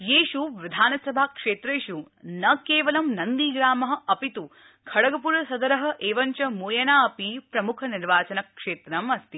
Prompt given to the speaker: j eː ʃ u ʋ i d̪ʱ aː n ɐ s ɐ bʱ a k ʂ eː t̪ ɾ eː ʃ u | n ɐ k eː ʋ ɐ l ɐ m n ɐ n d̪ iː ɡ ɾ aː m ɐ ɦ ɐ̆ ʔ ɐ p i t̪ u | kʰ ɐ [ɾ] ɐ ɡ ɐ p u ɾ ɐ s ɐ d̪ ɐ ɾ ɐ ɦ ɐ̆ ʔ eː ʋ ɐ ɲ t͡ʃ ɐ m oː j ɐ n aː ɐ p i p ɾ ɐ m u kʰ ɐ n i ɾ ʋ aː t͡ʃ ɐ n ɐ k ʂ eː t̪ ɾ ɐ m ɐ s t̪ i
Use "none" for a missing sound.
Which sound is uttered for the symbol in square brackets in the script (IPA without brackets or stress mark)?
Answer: ɽ